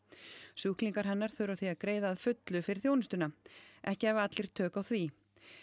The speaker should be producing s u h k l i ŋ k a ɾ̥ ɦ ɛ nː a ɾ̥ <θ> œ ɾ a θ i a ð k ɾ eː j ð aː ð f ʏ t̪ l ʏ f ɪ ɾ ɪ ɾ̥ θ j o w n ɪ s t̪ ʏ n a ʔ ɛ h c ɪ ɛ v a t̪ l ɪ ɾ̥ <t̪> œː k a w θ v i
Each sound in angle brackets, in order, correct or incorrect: correct, incorrect

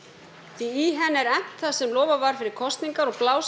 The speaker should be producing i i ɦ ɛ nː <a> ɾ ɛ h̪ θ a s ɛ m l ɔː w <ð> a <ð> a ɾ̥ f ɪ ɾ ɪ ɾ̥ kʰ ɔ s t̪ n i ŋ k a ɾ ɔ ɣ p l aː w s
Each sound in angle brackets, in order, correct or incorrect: incorrect, incorrect, incorrect

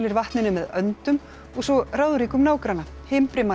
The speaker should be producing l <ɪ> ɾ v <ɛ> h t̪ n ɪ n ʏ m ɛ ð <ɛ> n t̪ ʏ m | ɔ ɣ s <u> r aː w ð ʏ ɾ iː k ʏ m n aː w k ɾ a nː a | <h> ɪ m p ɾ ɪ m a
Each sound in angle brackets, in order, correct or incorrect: correct, incorrect, incorrect, incorrect, correct

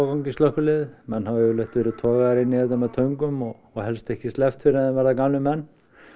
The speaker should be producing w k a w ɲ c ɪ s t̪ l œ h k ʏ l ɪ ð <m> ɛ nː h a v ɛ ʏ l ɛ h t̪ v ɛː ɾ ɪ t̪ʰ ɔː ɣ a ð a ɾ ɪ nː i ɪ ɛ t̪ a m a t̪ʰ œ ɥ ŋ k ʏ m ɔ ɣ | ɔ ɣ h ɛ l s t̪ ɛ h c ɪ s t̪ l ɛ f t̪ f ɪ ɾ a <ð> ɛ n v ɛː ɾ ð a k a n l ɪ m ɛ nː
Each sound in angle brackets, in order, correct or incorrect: correct, correct

